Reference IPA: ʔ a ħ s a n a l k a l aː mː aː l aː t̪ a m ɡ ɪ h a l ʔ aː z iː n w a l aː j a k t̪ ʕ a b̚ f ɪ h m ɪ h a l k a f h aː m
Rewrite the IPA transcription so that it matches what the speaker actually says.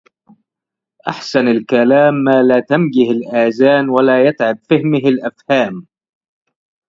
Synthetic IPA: ʔ a ħ s a n a l k a l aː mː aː l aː t̪ a m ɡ ɪ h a l ʔ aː z aː n w a l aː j a t̪ ʕ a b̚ f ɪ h m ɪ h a l ʔ a f h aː m

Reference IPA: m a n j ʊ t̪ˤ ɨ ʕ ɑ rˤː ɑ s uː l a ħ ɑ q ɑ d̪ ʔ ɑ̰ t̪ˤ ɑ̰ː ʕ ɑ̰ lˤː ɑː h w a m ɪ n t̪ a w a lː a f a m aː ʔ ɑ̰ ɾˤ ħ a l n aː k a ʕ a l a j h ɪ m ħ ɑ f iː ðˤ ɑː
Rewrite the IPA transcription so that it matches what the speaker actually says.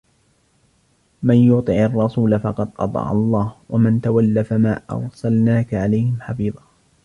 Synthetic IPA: m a n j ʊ t̪ˤ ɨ ʕ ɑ rˤː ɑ s uː l a f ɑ q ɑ d̪ ʔ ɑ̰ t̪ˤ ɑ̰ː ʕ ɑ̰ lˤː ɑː h w a m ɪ n t̪ a w a lː a f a m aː ʔ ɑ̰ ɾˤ s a l n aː k a ʕ a l a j h ɪ m ħ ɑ f iː ðˤ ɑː

